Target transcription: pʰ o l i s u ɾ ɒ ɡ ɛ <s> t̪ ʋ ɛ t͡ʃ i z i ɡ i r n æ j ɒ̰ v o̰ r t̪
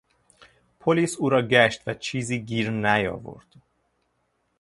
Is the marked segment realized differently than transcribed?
yes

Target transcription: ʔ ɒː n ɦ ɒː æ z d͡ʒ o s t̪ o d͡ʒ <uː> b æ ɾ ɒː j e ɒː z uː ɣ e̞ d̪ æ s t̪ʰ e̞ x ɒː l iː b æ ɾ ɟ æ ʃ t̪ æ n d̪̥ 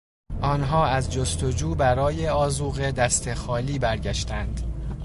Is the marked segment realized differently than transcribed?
no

